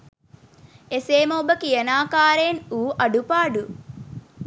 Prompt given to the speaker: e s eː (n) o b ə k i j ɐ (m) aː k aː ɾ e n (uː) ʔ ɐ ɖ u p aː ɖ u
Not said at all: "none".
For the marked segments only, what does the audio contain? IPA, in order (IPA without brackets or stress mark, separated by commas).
m, n, uː